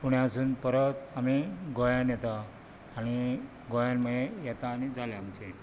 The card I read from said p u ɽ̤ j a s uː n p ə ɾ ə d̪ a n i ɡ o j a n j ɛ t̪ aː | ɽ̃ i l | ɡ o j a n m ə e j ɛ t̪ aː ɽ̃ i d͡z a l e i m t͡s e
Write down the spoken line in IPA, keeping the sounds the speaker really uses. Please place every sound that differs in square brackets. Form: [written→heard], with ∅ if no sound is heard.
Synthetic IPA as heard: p u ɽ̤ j a s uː n p ə ɾ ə [d̪→t̪] a [n→m] i ɡ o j a n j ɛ t̪ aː | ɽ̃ i [l→∅] | ɡ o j a n m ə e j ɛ t̪ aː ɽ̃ i d͡z a l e [i→a] m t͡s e